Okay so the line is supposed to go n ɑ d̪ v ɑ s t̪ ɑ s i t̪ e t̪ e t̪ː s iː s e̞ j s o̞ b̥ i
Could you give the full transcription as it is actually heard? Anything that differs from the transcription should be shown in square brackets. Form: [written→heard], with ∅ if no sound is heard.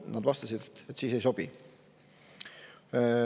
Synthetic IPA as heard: n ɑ d̪ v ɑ s t̪ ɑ s i [t̪→d̪] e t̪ e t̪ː s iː s e̞ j s o̞ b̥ i